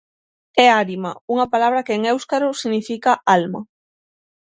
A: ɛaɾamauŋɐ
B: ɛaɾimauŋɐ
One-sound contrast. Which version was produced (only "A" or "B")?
B